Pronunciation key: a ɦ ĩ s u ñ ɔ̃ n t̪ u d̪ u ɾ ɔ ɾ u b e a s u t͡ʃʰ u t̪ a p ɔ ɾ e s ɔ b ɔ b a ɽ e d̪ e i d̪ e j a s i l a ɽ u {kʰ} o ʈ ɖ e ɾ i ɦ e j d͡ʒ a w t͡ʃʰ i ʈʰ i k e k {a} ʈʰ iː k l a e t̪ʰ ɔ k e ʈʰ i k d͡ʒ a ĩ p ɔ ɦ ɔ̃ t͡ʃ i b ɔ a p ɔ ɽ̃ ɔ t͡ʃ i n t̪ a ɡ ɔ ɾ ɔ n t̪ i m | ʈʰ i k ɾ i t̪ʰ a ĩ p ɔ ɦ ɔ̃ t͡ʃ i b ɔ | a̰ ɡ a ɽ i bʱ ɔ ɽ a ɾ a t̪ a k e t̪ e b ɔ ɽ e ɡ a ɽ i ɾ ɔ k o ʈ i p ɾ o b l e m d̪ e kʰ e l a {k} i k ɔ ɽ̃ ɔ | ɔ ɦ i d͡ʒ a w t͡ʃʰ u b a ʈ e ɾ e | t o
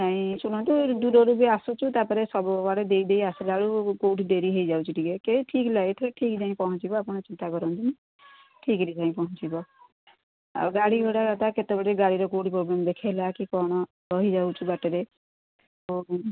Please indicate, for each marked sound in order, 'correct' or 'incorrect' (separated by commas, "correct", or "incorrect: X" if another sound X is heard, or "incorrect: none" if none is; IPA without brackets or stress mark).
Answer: incorrect: k, incorrect: e, correct